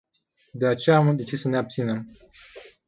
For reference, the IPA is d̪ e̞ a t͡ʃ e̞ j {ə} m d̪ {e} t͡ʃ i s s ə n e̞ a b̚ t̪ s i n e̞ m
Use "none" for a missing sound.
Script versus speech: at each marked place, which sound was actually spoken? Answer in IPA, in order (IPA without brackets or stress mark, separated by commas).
a, e